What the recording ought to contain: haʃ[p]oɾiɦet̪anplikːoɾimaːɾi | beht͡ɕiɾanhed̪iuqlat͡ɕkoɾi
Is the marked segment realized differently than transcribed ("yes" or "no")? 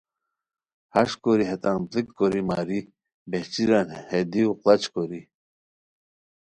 yes